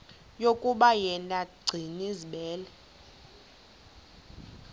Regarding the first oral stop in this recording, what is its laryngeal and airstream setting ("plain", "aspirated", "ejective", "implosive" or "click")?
ejective